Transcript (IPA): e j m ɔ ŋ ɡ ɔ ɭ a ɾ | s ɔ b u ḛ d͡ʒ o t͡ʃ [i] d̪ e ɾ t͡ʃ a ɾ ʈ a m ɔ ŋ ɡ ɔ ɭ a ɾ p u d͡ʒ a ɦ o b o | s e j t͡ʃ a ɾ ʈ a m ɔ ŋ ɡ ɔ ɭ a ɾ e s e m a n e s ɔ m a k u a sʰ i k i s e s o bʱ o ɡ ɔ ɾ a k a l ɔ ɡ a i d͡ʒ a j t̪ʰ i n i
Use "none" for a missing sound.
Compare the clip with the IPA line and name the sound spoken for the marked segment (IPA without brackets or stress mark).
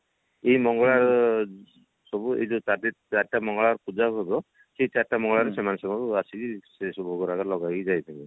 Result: a